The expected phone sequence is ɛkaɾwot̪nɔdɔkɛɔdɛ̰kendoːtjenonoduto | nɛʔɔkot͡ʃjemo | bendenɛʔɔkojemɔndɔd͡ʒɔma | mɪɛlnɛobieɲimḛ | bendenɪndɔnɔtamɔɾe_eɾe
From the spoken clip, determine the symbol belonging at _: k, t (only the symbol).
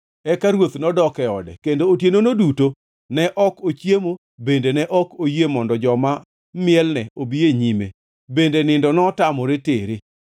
t